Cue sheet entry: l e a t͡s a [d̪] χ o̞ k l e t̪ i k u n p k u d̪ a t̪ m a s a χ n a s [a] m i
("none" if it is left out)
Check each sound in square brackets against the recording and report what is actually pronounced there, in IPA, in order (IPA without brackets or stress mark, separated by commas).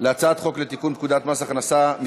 t̪, a